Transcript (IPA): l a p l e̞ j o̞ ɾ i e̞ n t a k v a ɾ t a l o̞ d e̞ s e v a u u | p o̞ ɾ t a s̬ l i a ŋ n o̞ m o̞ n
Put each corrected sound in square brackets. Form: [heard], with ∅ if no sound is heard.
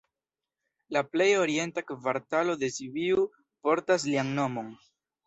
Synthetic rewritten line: l a p l e̞ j o̞ ɾ i e̞ n t a k v a ɾ t a l o̞ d e̞ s [i] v [i] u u | p o̞ ɾ t a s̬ l i a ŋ n o̞ m o̞ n